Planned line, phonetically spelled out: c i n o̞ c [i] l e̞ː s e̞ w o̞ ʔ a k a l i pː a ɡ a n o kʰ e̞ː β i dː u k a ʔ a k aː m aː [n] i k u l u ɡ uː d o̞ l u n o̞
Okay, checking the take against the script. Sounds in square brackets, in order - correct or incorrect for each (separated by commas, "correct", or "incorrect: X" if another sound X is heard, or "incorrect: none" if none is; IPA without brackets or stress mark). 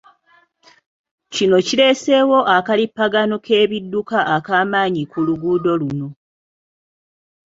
correct, incorrect: ɲ